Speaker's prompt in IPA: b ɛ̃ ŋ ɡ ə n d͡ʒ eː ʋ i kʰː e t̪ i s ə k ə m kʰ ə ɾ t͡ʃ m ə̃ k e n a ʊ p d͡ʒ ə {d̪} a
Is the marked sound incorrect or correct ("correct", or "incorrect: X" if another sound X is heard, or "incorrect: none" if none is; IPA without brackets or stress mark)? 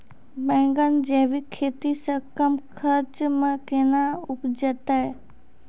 incorrect: t̪